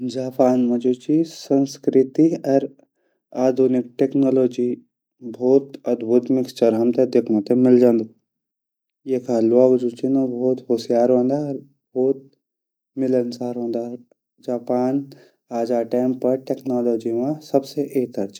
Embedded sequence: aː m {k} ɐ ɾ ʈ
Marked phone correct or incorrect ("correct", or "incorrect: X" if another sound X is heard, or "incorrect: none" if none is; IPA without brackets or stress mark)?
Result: incorrect: p